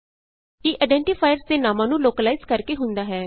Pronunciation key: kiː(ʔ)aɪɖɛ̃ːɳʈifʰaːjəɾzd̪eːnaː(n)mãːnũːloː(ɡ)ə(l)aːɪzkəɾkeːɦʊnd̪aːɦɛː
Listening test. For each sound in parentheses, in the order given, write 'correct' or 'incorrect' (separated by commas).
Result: correct, incorrect, incorrect, correct